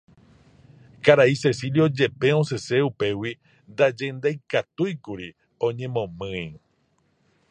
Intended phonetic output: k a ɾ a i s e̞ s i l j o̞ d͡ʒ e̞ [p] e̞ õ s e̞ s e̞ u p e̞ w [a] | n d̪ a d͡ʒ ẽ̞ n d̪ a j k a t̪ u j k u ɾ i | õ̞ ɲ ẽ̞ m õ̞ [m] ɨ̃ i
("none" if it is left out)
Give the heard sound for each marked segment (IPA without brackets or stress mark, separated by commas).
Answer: p, i, m